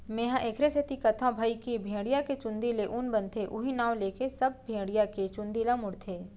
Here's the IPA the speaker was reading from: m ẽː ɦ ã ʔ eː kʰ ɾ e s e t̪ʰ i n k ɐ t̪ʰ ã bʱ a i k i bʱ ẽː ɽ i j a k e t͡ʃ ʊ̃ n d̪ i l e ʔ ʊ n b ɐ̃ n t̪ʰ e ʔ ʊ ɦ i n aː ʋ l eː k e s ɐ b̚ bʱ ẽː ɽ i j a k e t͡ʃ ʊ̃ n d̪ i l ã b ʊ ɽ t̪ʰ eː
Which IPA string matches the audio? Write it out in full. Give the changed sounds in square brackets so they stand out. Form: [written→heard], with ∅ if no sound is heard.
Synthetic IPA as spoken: m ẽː ɦ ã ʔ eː kʰ ɾ e s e [t̪ʰ→t̪] i [n→∅] k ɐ t̪ʰ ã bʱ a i k i bʱ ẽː ɽ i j a k e t͡ʃ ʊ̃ n d̪ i l e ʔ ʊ n b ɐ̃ n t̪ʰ e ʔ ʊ ɦ i n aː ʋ l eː k e s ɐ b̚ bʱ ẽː ɽ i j a k e t͡ʃ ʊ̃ n d̪ i l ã [b→m] ʊ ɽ t̪ʰ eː